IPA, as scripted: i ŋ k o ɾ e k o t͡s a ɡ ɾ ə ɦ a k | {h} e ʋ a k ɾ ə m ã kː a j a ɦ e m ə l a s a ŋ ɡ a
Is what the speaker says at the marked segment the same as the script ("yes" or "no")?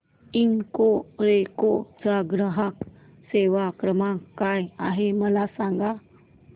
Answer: no